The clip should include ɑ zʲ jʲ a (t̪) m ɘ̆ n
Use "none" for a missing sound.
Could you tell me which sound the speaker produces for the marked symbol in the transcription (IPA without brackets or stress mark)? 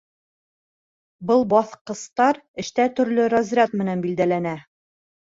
t̪